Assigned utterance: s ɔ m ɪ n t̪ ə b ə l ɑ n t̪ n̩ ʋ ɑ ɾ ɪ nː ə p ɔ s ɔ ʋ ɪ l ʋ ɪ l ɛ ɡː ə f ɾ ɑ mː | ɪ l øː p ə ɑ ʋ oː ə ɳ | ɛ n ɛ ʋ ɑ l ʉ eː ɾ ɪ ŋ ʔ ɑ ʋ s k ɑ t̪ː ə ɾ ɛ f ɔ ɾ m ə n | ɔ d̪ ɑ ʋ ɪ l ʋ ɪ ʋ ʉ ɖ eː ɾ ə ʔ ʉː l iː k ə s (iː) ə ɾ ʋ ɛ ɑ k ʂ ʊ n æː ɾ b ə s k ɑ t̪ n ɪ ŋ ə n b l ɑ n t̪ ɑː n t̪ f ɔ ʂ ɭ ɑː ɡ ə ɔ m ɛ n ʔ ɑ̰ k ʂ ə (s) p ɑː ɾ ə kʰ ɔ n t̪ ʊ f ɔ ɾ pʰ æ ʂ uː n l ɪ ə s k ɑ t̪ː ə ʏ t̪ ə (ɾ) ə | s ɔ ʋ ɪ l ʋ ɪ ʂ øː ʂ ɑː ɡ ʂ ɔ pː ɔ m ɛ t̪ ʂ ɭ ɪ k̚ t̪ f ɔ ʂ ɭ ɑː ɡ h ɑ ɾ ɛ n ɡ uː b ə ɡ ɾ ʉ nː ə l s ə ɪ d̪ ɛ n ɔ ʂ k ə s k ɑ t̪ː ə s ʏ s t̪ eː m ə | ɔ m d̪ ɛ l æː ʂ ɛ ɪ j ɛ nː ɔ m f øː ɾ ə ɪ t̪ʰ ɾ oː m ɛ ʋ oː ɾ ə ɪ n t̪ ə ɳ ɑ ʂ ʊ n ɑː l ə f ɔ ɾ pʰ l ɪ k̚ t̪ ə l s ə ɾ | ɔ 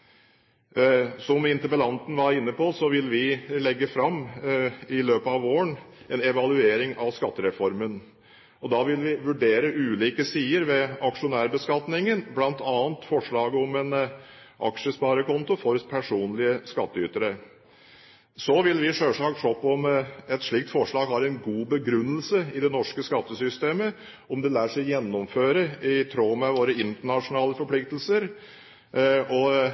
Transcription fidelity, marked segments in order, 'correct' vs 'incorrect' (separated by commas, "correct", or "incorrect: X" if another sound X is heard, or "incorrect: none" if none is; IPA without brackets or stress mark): correct, correct, correct